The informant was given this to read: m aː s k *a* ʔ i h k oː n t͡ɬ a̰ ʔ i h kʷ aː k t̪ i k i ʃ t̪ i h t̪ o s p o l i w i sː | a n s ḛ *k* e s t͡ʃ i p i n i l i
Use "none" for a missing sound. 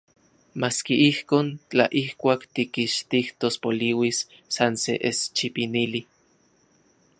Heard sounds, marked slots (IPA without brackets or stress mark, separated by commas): i, ʔ